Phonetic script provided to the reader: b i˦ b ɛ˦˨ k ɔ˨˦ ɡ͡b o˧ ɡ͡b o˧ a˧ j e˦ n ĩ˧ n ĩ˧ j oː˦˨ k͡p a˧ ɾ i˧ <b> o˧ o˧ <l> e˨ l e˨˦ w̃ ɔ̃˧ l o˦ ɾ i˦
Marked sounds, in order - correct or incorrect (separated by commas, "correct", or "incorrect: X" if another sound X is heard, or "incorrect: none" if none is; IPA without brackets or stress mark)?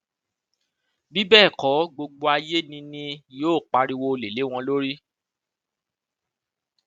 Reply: incorrect: w, correct